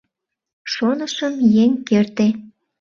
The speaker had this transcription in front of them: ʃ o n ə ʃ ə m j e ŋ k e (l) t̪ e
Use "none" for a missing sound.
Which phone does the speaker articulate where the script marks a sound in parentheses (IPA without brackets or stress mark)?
r